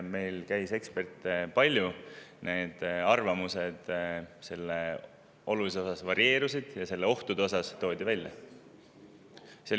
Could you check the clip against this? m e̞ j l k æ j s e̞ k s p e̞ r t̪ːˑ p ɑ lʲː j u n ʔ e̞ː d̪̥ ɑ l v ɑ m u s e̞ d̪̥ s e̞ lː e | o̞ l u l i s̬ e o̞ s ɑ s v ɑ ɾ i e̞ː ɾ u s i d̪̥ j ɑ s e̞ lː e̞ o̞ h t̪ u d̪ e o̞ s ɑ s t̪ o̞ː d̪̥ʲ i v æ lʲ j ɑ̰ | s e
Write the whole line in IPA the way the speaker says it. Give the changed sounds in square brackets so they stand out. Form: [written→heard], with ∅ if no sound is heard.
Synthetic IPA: m e̞ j l k æ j s e̞ k s p e̞ r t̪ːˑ p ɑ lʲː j u n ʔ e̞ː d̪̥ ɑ [l→r] v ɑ m u s e̞ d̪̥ s e̞ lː e | o̞ l u l i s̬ e o̞ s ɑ s v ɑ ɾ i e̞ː ɾ u s i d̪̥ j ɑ s e̞ lː e̞ o̞ h t̪ u d̪ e o̞ s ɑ s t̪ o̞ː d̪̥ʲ i v æ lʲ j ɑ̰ | s e